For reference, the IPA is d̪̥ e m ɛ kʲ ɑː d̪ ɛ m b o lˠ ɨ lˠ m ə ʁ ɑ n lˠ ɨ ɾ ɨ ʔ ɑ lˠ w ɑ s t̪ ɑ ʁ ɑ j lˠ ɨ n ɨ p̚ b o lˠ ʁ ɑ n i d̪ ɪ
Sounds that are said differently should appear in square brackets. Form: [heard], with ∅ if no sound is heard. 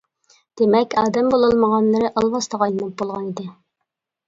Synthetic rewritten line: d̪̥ e m ɛ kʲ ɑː d̪ ɛ m b o lˠ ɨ lˠ m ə ʁ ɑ n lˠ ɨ ɾ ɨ ʔ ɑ lˠ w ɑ s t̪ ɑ ʁ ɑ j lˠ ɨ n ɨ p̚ b o lˠ ʁ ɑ n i d̪ ɪ